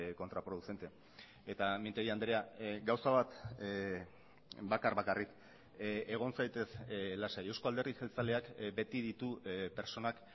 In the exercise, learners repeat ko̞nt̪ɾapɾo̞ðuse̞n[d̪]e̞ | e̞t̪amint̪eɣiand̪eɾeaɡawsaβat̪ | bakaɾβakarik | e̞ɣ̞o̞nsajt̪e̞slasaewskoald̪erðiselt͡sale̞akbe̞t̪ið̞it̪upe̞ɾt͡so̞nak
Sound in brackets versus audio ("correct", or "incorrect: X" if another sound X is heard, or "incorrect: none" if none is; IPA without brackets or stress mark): incorrect: t̪